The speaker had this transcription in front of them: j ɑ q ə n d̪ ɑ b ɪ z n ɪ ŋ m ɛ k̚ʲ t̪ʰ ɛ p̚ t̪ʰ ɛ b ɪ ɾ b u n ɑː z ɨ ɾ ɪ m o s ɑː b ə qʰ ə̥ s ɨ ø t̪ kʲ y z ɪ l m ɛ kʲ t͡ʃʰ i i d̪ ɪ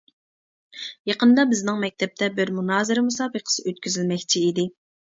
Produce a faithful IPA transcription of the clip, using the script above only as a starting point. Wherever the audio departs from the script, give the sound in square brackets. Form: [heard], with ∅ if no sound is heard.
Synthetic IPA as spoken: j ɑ q ə n d̪ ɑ b ɪ z n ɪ ŋ m ɛ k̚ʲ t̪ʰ ɛ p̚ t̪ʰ ɛ b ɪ ɾ [m] u n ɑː z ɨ ɾ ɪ m [u] s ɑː b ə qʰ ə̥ s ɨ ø t̪ kʲ y z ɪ l m ɛ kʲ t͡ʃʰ i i d̪ ɪ